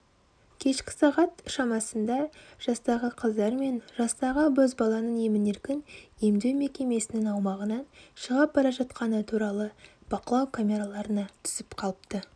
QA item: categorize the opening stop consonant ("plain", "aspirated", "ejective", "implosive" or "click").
aspirated